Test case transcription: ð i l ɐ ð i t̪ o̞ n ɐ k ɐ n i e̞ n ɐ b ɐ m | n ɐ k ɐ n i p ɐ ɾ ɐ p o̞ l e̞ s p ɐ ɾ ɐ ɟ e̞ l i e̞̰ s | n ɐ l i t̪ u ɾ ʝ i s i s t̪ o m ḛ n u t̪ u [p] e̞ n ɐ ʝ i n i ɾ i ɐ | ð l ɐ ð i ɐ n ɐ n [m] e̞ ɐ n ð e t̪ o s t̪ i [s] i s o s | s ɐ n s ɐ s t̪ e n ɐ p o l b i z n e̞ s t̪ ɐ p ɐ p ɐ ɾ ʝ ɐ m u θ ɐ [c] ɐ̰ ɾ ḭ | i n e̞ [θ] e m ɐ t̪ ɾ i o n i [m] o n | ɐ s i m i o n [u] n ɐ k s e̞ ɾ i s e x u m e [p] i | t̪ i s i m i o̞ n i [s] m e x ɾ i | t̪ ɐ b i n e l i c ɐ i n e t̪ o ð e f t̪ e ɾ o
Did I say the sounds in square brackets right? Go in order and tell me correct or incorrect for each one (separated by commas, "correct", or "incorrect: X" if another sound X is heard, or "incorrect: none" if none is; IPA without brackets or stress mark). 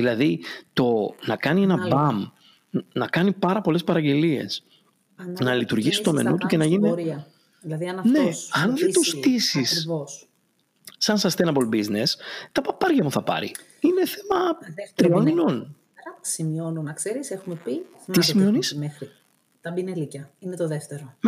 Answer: incorrect: c, incorrect: n, correct, incorrect: p, correct, incorrect: n, correct, correct, correct